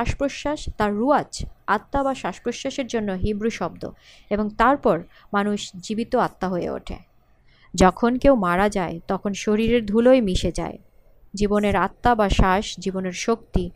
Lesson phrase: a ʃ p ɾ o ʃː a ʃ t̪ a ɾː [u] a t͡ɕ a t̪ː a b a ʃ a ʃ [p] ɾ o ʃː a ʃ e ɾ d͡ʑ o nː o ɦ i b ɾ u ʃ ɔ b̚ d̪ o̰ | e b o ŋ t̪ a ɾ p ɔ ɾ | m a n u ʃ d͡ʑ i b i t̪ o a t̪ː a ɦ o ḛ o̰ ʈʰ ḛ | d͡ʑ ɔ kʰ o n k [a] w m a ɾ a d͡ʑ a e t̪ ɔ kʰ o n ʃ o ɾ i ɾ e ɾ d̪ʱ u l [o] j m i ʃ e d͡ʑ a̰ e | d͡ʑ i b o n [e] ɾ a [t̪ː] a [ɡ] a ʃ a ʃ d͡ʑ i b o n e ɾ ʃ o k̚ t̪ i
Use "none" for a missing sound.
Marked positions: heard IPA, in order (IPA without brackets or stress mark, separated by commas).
u, p, e, o, e, t̪ː, b